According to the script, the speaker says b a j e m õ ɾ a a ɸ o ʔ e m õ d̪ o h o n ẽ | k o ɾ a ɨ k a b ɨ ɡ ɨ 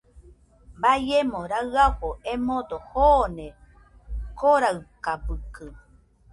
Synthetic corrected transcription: b a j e m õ ɾ a a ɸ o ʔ e m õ d̪ o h o n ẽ | k o ɾ a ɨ k a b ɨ k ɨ